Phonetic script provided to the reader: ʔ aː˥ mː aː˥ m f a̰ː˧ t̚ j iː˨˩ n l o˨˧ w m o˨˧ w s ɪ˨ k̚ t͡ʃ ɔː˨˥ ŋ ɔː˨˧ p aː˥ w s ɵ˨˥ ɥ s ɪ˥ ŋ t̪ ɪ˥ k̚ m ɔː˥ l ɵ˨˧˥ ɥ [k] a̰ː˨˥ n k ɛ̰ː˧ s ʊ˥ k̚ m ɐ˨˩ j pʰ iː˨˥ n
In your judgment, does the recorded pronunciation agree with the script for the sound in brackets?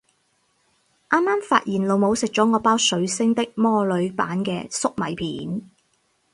no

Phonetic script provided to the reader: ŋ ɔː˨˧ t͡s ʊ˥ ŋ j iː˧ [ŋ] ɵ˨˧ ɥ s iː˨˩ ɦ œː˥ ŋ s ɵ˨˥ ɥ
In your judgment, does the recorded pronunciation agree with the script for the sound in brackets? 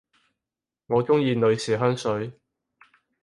no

